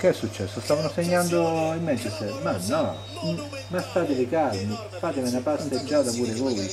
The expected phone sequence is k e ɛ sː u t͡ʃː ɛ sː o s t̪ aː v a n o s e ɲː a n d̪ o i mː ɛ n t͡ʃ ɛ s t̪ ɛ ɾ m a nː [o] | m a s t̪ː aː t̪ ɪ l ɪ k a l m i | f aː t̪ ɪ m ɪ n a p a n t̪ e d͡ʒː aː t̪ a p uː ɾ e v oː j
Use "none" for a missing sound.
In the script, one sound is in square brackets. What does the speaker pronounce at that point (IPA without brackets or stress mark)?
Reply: ɔ